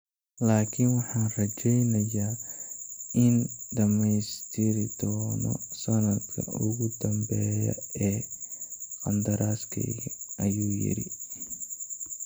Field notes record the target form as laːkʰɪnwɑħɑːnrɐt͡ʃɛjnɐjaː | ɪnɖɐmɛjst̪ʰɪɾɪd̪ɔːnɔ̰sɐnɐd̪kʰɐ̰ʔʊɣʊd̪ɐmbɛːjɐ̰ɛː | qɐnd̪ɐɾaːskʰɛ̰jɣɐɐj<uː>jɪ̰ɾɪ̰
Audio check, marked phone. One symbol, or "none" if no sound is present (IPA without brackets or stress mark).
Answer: uː